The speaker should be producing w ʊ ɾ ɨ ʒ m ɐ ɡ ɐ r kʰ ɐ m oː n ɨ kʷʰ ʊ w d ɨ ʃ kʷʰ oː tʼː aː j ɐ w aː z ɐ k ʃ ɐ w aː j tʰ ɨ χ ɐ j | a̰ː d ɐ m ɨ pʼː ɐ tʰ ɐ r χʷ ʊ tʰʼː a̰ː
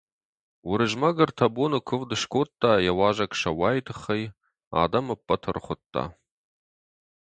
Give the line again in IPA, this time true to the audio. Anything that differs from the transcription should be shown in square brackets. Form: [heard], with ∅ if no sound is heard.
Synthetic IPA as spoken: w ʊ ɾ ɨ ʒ m ɐ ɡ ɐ r [tʰ] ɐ [b] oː n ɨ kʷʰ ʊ [v] d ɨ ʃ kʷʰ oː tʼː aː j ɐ w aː [ʒ] ɐ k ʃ ɐ w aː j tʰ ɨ χ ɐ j | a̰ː d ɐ m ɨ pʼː ɐ tʰ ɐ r χʷ ʊ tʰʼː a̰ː